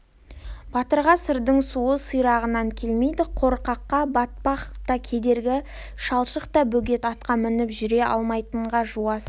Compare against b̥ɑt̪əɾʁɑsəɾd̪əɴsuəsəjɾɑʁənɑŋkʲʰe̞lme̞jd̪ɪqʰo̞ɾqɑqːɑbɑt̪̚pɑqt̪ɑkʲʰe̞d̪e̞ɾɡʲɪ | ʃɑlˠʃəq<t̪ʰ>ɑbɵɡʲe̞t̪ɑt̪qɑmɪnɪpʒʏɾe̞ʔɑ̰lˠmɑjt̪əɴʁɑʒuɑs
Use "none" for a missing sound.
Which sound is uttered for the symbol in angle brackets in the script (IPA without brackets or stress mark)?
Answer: t̪